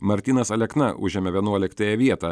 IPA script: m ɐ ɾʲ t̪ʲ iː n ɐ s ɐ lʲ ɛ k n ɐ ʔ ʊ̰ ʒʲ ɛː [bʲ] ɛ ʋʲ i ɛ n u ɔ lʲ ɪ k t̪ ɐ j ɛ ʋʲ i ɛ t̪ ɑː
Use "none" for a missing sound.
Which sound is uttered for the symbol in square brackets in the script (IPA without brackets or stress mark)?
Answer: mʲ